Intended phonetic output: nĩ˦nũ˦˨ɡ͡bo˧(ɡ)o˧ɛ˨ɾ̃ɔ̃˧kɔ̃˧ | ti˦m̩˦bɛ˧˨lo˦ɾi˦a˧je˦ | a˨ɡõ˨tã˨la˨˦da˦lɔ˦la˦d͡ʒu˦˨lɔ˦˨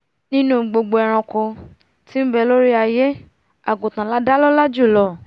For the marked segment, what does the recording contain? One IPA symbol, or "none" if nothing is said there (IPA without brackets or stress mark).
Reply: ɡ͡b